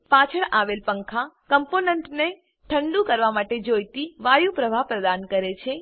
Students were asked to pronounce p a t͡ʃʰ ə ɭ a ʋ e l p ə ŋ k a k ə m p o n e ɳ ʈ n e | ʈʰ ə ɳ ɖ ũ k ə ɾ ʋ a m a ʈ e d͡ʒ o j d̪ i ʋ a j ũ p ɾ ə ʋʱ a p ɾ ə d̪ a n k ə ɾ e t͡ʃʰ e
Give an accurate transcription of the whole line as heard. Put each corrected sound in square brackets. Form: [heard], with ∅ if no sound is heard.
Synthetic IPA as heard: p a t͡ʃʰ ə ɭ a ʋ e l p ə ŋ [kʰ] a k ə m p o n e ɳ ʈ n e | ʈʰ ə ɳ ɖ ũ k ə ɾ ʋ a m a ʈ e d͡ʒ o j [t̪] i ʋ a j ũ p ɾ ə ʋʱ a p ɾ ə d̪ a n k ə ɾ e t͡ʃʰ e